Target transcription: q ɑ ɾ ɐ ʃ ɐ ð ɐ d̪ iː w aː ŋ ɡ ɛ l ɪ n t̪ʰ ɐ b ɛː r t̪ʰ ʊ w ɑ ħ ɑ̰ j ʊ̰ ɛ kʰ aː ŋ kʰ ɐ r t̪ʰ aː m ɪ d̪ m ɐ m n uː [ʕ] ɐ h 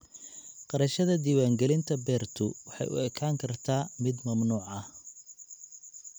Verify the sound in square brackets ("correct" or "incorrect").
correct